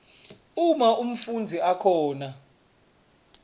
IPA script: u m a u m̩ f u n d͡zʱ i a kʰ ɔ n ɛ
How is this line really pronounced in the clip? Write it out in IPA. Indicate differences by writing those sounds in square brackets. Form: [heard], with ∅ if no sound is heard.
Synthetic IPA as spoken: u m a u m̩ f u n d͡zʱ i a kʰ [ɔː] n [a]